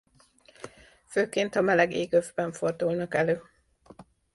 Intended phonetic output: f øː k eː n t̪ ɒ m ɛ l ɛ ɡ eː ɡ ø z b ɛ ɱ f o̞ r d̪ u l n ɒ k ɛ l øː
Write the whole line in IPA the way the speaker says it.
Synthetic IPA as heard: f øː k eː n t̪ ɒ m ɛ l ɛ ɡ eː ɡ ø v b ɛ ɱ f o̞ r d̪ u l n ɒ k ɛ l øː